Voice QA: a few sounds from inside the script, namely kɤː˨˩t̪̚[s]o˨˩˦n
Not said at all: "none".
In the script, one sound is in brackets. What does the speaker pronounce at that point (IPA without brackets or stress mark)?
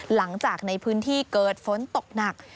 f